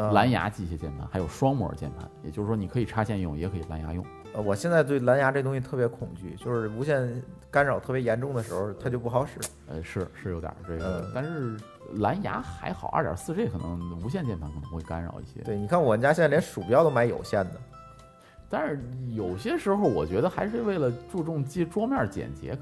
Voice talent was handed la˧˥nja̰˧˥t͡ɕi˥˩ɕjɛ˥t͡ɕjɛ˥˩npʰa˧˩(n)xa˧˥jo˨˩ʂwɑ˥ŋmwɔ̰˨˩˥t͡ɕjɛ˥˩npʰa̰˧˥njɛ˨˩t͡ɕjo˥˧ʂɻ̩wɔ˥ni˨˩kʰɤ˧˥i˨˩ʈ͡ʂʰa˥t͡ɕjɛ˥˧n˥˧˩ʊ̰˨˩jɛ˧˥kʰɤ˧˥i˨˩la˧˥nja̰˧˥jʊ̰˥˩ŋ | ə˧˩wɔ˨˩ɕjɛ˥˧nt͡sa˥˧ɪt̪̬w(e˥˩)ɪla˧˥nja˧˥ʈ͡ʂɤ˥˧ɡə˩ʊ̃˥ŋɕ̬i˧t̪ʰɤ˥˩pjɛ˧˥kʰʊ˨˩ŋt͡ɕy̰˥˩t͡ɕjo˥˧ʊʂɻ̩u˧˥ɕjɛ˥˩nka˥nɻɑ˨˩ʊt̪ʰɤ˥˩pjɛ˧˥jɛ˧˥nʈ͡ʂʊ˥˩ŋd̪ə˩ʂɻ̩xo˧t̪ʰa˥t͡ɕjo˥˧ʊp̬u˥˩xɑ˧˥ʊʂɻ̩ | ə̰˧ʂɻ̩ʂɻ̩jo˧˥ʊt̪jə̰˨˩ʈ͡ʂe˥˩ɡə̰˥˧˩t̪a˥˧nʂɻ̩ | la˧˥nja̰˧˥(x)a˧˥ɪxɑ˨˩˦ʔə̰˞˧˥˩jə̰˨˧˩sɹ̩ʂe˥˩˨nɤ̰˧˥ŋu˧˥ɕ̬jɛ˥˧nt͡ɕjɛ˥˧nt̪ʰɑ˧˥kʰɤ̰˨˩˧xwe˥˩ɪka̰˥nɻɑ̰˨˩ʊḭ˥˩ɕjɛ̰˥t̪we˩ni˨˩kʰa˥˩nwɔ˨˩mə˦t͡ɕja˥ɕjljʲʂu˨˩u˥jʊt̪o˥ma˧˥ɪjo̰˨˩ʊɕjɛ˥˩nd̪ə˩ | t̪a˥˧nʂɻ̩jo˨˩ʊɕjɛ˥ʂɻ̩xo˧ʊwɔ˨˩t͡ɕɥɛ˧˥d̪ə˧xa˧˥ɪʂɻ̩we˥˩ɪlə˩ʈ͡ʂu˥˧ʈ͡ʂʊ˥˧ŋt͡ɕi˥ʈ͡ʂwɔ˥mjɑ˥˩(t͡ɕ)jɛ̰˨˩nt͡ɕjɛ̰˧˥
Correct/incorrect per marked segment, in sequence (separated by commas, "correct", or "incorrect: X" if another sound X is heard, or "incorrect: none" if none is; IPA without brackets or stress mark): correct, correct, correct, correct